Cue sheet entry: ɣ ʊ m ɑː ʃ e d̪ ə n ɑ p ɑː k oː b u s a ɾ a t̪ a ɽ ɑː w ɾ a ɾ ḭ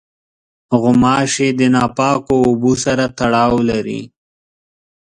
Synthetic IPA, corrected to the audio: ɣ ʊ m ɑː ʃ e d̪ ə n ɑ p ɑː k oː b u s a ɾ a t̪ a ɽ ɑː w l a ɾ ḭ